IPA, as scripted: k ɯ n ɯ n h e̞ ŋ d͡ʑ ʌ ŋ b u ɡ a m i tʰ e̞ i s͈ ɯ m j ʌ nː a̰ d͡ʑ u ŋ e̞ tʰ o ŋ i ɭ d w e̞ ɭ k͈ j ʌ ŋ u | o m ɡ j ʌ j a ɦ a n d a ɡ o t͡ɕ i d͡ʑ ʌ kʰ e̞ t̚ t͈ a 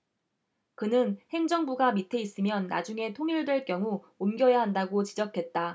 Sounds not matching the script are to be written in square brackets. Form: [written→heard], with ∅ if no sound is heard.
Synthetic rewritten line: k ɯ n ɯ n h e̞ ŋ d͡ʑ ʌ ŋ b u ɡ a m i tʰ e̞ i s͈ ɯ m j ʌ nː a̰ d͡ʑ u ŋ e̞ tʰ o ŋ i ɭ d w e̞ ɭ k͈ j ʌ ŋ u | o m ɡ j ʌ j a ɦ a n d a ɡ o t͡ɕ i d͡ʑ ʌ kʰ e̞ t̚ t͈ a